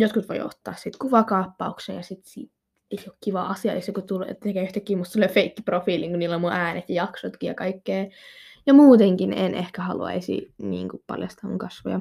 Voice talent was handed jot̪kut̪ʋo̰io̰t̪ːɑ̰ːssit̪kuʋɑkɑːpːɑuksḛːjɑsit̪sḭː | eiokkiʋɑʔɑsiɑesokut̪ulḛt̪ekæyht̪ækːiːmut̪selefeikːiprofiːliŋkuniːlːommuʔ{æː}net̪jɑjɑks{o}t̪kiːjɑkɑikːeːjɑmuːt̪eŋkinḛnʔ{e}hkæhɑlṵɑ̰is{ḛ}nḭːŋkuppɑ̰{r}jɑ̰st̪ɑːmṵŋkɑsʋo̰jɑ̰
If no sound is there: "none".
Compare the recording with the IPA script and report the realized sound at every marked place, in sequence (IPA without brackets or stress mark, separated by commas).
æː, o, e, ḭ, l